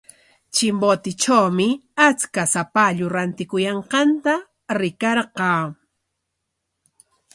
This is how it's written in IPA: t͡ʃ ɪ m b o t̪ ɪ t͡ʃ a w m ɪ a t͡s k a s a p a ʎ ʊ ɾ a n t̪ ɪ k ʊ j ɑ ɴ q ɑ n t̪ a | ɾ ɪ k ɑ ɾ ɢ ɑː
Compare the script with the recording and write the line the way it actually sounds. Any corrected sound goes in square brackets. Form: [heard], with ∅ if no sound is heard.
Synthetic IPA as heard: t͡ʃ ɪ m b o t̪ ɪ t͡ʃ a w m ɪ a t͡s k a s a p a ʎ ʊ ɾ a n t̪ ɪ k ʊ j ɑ ɴ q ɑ n t̪ a | ɾ ɪ k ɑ ɾ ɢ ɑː